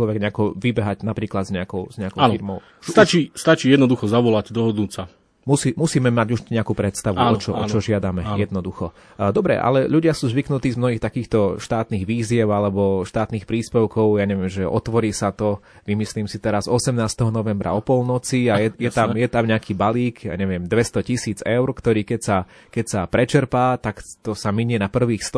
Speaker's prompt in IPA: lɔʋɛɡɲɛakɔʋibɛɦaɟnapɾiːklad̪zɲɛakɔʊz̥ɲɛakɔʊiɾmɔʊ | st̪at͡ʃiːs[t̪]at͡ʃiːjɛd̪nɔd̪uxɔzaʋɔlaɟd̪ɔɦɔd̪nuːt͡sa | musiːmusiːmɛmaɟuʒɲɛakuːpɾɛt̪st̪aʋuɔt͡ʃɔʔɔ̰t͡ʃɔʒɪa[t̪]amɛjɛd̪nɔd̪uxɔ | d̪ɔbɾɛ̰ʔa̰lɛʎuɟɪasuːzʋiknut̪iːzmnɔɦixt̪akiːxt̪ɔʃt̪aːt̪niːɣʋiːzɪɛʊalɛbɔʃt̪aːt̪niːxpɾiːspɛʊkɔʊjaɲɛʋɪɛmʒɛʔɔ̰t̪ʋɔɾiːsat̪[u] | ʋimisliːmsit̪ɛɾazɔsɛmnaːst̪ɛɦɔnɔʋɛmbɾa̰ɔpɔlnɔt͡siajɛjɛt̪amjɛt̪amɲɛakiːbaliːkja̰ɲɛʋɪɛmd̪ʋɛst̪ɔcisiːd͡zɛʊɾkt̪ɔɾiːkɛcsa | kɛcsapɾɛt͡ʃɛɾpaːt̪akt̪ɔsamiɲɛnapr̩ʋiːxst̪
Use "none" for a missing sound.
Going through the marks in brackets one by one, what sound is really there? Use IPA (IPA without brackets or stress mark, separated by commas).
t̪, d̪, ɔ